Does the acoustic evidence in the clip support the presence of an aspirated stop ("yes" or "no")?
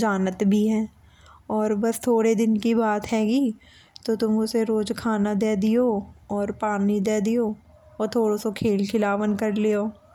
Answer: yes